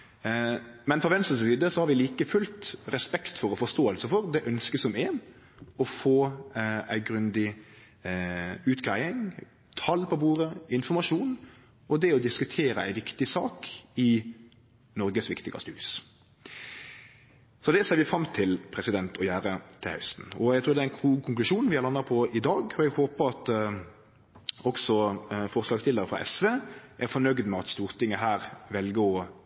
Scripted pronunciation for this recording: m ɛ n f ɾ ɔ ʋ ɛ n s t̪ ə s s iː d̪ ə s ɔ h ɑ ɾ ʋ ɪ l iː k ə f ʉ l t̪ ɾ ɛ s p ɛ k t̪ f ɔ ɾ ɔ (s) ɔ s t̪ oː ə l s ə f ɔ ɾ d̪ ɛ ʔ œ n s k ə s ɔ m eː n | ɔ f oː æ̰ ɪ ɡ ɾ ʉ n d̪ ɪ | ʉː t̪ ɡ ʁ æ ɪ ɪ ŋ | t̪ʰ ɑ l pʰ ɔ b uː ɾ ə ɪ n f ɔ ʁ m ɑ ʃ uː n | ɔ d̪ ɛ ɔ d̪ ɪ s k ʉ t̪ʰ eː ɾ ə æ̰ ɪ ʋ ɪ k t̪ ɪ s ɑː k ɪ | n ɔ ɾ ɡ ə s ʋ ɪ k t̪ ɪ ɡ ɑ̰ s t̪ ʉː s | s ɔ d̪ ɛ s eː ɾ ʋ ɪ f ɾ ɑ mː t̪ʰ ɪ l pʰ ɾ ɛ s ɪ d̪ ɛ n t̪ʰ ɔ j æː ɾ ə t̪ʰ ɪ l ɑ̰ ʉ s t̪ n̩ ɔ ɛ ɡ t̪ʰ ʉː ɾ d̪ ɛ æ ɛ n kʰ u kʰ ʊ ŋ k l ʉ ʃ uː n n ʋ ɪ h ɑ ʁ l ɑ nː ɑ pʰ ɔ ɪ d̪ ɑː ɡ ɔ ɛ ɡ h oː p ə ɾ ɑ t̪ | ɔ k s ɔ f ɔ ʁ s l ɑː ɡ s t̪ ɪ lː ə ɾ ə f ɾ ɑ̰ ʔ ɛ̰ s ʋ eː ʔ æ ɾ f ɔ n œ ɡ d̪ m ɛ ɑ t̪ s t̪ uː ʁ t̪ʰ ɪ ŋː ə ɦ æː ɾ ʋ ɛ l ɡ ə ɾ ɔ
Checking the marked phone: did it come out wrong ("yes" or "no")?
yes